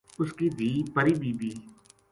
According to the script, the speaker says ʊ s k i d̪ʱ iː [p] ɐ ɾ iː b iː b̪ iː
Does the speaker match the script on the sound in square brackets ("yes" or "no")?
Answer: yes